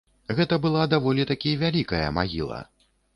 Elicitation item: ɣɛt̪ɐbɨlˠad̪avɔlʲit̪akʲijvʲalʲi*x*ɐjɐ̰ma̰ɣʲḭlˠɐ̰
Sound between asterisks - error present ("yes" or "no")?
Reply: yes